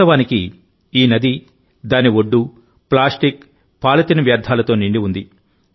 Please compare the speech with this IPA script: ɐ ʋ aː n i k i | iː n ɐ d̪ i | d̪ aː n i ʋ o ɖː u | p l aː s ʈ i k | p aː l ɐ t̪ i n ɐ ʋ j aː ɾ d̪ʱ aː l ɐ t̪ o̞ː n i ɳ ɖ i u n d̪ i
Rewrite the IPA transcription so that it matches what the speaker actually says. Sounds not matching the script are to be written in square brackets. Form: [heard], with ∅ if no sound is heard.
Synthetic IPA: ɐ ʋ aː n i k i | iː n ɐ d̪ i | d̪ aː n i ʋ o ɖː u | p l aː s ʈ i k | p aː l ɐ t̪ i n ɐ ʋ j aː ɾ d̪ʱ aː l ɐ t̪ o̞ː n i ɳ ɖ i u n d̪ i

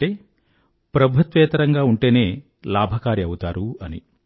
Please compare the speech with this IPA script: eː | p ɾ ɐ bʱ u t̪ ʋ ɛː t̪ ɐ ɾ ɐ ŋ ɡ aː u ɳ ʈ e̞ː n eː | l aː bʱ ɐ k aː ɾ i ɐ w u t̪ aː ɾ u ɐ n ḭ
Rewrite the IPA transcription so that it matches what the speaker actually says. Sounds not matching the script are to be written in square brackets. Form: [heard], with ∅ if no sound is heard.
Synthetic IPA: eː | p ɾ ɐ bʱ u t̪ ʋ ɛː t̪ ɐ ɾ ɐ ŋ ɡ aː u ɳ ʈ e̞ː n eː | l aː bʱ ɐ k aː ɾ i ɐ w u t̪ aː ɾ u ɐ n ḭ

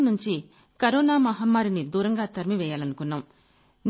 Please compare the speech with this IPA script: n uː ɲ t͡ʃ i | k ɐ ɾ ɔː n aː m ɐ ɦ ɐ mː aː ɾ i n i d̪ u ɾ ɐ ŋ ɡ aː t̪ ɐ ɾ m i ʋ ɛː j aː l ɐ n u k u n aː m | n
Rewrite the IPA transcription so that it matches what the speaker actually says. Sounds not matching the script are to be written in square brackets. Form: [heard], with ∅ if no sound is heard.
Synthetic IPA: n [u] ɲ t͡ʃ i | k ɐ ɾ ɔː n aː m ɐ ɦ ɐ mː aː ɾ i n i d̪ [uː] ɾ ɐ ŋ ɡ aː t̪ ɐ ɾ m i ʋ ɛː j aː l ɐ n u k u [nː] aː m | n

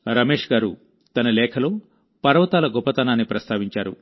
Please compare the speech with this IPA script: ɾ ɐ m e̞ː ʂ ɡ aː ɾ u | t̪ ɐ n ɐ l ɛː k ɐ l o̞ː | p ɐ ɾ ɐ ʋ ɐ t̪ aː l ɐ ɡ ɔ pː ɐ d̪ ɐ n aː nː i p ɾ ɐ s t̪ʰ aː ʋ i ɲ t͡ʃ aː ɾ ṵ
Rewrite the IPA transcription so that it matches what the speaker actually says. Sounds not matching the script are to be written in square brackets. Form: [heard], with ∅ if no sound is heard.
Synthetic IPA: ɾ ɐ m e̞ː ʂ ɡ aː ɾ u | t̪ ɐ n ɐ l ɛː [kʰ] ɐ l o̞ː | p ɐ ɾ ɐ ʋ ɐ t̪ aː l ɐ ɡ ɔ pː ɐ [t̪] ɐ n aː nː i p ɾ ɐ s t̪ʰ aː ʋ i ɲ t͡ʃ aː ɾ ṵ

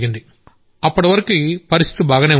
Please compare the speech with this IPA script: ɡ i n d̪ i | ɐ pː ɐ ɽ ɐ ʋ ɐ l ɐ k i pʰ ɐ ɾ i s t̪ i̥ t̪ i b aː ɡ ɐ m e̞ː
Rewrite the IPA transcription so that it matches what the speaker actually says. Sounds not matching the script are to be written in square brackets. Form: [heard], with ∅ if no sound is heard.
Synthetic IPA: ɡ i n d̪ i | ɐ pː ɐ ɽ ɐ ʋ ɐ [ɾ] ɐ k i [p] ɐ ɾ i s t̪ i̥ t̪ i b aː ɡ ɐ [n] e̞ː

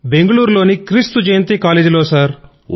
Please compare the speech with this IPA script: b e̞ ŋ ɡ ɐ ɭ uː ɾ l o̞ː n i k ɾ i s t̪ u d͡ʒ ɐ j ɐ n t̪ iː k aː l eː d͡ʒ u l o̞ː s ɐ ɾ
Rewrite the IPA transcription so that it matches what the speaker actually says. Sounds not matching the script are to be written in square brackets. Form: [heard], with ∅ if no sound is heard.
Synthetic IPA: b e̞ ŋ ɡ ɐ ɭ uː ɾ l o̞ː n i k ɾ i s t̪ u d͡ʒ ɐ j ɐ n t̪ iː k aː l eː d͡ʒ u l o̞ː s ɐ ɾ

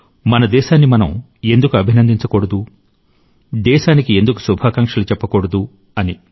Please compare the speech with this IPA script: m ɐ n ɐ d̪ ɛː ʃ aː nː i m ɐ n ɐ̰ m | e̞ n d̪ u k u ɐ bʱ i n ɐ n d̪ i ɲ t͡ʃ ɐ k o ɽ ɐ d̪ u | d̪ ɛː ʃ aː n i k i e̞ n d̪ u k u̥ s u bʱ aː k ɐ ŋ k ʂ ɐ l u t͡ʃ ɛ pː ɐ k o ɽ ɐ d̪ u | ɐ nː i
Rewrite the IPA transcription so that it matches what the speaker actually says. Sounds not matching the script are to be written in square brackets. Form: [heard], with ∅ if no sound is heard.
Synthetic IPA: m ɐ n ɐ d̪ ɛː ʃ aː nː i m ɐ n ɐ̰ m | e̞ n d̪ u k u ɐ bʱ i n ɐ n d̪ i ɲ t͡ʃ ɐ k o ɽ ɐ d̪ u | d̪ ɛː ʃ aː n i k i e̞ n d̪ u k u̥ s u bʱ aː k ɐ ŋ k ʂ ɐ l u t͡ʃ ɛ pː ɐ k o ɽ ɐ d̪ u | ɐ [n] i

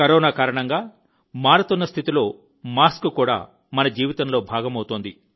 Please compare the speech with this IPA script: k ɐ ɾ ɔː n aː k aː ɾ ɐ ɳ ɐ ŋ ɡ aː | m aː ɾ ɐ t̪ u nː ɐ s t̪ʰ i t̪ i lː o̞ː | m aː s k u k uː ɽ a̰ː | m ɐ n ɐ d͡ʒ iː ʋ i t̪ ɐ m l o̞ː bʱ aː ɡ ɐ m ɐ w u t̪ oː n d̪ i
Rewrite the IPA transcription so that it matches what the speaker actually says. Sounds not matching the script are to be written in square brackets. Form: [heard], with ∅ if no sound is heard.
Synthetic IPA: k ɐ ɾ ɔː n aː k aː ɾ ɐ ɳ ɐ ŋ ɡ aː | m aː ɾ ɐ t̪ u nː ɐ s t̪ʰ i t̪ i [l] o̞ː | m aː s k u k uː ɽ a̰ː | m ɐ n ɐ d͡ʒ iː ʋ i t̪ ɐ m l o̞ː bʱ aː ɡ ɐ m ɐ w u t̪ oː n d̪ i

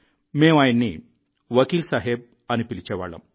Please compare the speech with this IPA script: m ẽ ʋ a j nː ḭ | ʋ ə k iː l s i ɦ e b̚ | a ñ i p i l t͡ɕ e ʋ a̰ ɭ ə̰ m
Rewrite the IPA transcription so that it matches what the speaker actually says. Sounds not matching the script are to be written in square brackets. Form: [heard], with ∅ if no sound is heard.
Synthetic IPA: m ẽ ʋ a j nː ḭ | ʋ ə k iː l s [a] ɦ e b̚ | a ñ i p i l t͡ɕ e ʋ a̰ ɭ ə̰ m

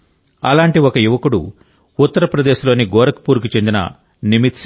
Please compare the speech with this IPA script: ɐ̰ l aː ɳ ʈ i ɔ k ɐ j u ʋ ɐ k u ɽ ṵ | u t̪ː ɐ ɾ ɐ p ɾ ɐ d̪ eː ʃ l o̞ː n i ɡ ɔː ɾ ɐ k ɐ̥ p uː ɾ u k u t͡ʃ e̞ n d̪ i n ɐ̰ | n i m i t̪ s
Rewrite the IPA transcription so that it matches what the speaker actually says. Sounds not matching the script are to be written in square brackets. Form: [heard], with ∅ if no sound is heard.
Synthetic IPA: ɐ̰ l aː ɳ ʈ i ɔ k ɐ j u ʋ ɐ k u ɽ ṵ | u t̪ː ɐ ɾ ɐ p ɾ ɐ d̪ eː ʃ l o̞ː n i ɡ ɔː ɾ ɐ k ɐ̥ p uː ɾ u k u t͡ʃ e̞ n d̪ i n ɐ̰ | n i m i t̪ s

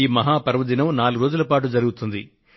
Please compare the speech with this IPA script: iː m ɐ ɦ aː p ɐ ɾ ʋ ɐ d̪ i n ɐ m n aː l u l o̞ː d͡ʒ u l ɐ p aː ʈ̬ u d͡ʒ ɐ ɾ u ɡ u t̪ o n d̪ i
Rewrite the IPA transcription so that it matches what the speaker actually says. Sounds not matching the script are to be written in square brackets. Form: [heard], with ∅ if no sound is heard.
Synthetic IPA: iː m ɐ ɦ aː p ɐ ɾ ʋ ɐ d̪ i n ɐ m n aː l u [ɾ] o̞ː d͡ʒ u l ɐ p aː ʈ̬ u d͡ʒ ɐ ɾ u ɡ u t̪ [u] n d̪ i

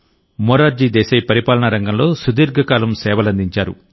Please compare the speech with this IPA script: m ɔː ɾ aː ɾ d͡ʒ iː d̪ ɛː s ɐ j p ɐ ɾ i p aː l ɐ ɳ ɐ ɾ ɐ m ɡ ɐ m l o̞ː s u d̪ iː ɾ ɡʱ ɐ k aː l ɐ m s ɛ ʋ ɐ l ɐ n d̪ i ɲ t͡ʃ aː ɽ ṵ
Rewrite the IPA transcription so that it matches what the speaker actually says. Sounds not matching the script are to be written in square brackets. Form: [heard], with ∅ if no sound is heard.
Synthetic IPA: m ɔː ɾ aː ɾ d͡ʒ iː d̪ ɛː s ɐ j p ɐ ɾ i p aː l ɐ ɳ ɐ ɾ ɐ [ŋ] ɡ ɐ m l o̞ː s u d̪ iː ɾ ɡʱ ɐ k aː l ɐ m s [ɛː] ʋ ɐ l ɐ n d̪ i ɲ t͡ʃ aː [ɾ] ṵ

